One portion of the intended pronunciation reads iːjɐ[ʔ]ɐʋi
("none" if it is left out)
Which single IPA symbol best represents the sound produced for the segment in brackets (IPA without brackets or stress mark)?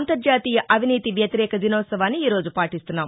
ʔ